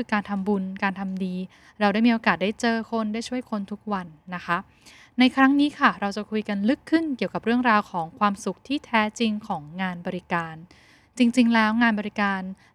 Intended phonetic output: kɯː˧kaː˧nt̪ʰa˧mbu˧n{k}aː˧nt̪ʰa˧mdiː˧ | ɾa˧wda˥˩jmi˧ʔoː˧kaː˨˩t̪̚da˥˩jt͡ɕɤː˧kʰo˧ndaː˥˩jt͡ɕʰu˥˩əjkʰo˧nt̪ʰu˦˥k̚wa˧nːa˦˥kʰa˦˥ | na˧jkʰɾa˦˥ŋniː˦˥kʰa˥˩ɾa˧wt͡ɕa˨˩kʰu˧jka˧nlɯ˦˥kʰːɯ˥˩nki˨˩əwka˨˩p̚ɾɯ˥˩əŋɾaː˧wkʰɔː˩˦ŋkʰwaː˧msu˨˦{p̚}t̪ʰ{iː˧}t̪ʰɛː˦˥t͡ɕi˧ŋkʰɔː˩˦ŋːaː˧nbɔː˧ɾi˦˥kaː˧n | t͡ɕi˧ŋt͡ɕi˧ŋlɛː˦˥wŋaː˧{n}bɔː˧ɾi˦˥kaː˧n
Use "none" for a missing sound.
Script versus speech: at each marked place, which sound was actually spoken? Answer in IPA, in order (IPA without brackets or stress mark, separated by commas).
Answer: k, k̚, iː˥˩, n